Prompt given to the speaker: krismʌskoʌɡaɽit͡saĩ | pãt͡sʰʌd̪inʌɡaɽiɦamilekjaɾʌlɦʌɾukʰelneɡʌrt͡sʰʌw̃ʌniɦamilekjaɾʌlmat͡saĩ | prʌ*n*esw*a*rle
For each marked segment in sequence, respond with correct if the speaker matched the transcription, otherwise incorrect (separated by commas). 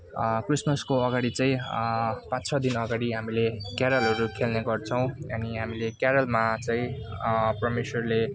incorrect, incorrect